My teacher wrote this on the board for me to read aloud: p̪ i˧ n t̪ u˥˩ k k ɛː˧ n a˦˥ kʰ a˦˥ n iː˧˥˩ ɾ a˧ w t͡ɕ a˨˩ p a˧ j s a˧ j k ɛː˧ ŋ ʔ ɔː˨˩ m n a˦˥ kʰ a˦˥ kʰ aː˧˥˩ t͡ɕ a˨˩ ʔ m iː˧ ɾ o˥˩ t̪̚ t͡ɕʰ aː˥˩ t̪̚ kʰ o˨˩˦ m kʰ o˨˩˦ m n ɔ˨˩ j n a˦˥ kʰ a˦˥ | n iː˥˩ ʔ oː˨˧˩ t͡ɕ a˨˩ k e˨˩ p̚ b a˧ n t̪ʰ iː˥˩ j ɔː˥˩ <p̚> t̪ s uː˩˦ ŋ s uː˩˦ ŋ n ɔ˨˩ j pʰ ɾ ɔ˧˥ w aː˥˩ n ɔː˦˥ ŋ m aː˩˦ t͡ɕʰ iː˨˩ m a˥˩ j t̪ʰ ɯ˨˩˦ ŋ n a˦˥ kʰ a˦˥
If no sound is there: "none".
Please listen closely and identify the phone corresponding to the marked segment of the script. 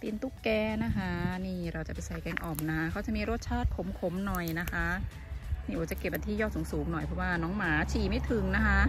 none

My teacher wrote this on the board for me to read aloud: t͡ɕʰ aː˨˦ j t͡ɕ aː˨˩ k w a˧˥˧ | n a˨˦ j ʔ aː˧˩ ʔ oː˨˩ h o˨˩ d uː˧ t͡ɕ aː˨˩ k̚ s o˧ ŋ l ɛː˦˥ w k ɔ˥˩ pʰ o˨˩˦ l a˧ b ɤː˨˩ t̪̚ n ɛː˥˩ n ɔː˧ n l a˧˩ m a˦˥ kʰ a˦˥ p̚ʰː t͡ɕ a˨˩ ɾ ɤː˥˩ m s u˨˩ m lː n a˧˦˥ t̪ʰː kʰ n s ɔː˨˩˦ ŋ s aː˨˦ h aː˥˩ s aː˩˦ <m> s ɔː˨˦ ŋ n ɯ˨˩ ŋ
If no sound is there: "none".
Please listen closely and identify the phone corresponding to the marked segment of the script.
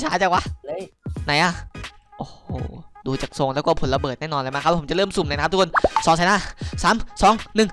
m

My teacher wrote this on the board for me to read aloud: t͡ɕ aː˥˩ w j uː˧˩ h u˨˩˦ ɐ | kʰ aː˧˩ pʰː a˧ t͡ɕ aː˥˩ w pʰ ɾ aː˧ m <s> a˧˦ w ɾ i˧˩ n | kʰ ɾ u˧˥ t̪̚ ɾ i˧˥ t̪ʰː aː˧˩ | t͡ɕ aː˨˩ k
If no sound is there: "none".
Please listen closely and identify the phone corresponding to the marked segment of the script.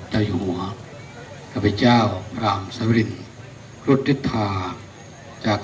s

